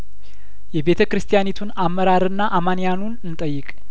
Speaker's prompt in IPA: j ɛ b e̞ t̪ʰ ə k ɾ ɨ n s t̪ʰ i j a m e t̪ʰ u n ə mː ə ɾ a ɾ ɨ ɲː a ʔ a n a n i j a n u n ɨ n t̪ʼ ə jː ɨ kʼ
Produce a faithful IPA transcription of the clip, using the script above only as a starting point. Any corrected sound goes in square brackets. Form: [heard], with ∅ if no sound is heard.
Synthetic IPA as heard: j ɛ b e̞ t̪ʰ ə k ɾ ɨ [∅] s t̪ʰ i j a [n] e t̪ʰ u n [a] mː ə ɾ a ɾ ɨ [nː] a ʔ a [m] a n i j a n u n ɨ n t̪ʼ ə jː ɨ kʼ